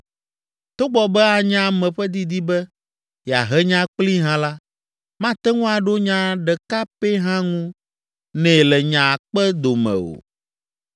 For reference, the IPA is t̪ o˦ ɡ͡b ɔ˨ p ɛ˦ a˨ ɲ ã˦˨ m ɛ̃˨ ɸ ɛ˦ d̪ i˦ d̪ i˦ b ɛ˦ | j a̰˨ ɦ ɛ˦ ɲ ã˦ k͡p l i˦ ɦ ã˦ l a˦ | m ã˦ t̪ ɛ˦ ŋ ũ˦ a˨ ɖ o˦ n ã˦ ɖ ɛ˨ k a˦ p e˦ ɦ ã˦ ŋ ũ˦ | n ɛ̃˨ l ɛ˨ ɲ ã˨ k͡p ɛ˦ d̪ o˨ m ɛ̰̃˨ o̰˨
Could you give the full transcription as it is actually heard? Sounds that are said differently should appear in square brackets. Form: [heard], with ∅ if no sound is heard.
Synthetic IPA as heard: t̪ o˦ ɡ͡b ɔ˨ [b] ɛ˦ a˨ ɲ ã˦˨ m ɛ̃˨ ɸ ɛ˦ d̪ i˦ d̪ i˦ b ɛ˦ | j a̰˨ ɦ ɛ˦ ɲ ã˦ k͡p l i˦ ɦ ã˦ l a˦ | m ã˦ t̪ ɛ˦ ŋ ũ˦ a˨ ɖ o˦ [ɲ] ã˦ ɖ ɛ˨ k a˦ p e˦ ɦ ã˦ ŋ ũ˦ | n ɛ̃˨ l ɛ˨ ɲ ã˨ k͡p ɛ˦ d̪ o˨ m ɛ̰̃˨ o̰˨